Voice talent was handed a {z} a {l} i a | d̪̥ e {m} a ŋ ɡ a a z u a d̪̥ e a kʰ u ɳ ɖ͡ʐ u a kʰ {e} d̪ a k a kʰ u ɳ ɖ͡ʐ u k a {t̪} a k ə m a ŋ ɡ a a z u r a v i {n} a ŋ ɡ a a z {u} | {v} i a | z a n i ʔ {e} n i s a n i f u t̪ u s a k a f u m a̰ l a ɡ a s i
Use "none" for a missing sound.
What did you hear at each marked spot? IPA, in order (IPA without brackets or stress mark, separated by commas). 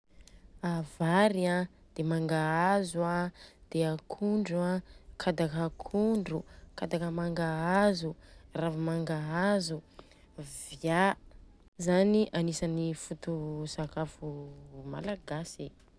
v, ɾ, m, a, d̪, m, u, v, a